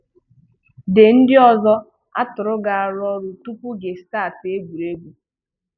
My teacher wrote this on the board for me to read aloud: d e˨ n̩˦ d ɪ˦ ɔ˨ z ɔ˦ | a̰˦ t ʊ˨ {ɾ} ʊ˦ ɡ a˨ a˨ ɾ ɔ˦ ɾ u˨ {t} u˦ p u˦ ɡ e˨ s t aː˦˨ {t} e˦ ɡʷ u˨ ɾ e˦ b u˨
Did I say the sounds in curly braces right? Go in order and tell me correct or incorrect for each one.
correct, correct, correct

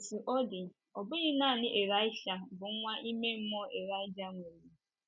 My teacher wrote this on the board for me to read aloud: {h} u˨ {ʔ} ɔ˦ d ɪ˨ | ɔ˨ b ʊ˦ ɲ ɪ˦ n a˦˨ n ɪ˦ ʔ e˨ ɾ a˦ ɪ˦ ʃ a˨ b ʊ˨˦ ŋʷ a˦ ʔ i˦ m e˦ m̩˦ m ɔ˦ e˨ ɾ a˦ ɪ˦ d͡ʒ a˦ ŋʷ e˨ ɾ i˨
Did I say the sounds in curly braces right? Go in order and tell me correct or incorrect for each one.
incorrect, correct

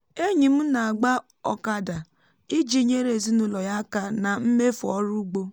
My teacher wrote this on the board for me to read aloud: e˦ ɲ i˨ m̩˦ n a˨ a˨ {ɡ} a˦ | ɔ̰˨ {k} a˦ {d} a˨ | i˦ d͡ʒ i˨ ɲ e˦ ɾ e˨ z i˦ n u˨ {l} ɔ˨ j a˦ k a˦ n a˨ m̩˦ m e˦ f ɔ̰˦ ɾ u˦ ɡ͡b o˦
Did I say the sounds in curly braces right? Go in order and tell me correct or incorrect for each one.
incorrect, correct, correct, correct

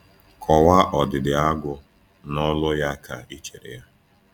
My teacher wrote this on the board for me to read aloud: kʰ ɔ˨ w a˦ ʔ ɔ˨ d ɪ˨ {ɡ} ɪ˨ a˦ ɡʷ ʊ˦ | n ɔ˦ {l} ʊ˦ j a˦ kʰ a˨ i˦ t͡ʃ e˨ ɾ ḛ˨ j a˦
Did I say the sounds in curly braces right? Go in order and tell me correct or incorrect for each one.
incorrect, correct

